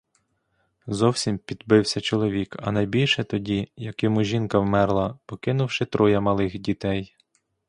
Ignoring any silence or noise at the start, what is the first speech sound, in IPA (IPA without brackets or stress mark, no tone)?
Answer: z